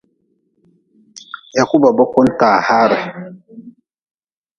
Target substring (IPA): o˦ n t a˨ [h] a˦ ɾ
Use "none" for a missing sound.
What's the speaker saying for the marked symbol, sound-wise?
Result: h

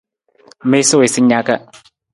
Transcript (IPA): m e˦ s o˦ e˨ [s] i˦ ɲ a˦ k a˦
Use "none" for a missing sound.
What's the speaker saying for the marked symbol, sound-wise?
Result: s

